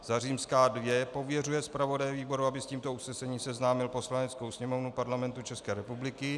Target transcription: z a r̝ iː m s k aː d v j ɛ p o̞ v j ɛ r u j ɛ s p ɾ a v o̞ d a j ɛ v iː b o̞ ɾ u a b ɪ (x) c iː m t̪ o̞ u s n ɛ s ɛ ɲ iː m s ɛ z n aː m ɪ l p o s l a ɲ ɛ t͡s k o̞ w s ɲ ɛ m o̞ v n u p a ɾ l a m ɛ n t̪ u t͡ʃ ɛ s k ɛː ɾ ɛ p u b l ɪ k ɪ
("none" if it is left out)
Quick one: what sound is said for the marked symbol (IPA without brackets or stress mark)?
s